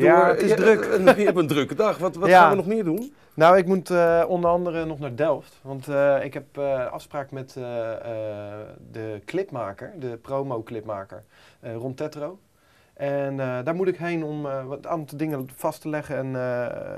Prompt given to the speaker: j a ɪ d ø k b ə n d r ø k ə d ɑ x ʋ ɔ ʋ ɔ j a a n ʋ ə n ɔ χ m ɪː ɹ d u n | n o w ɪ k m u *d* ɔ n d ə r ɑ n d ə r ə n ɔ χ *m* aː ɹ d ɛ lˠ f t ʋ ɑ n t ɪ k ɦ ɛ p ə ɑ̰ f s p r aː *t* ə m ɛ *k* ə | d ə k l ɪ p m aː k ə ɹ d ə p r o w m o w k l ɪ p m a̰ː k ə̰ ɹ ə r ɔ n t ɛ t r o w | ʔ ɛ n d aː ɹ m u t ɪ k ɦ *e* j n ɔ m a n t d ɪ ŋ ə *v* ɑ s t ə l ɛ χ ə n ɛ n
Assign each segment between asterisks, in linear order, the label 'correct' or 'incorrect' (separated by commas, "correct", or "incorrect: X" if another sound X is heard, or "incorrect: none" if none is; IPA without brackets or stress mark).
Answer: incorrect: t, incorrect: n, incorrect: k, incorrect: t, correct, incorrect: f